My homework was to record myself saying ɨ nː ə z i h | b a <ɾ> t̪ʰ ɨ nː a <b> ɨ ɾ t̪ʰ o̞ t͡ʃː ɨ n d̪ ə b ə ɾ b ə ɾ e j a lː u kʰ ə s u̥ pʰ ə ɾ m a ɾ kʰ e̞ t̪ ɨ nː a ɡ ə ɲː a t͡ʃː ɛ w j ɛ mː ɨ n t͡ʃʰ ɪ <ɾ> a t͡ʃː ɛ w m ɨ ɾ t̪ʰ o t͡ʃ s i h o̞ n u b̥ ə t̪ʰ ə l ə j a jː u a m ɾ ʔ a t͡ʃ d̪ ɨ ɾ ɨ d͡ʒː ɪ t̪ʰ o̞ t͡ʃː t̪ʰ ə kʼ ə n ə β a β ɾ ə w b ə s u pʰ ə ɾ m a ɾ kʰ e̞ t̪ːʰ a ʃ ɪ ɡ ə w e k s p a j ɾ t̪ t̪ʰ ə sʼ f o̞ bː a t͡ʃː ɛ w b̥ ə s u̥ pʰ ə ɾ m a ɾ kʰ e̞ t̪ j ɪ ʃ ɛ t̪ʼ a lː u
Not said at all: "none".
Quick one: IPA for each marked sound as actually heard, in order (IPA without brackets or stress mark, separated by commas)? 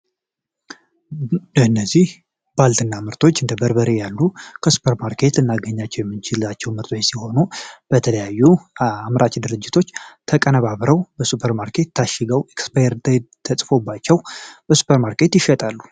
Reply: l, m, l